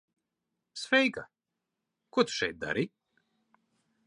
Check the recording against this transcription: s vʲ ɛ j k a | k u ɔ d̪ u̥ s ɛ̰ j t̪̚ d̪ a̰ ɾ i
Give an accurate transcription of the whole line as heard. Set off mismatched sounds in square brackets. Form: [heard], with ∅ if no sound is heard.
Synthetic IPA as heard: s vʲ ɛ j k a | k u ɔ [t̪] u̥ [ʃ] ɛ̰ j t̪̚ d̪ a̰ ɾ i